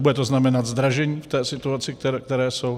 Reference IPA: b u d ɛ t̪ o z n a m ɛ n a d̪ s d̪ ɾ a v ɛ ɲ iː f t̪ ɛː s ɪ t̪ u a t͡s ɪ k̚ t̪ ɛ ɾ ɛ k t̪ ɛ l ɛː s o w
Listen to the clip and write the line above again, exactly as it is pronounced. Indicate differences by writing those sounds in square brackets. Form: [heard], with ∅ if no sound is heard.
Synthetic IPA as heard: b u d ɛ t̪ o z n a m ɛ n a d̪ [z] d̪ ɾ a [ʒ] ɛ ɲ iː f t̪ ɛː s ɪ t̪ u a t͡s ɪ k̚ t̪ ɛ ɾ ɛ k t̪ ɛ [ɾ] ɛː s o w